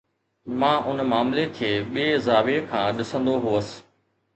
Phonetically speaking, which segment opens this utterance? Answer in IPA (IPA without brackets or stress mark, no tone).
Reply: m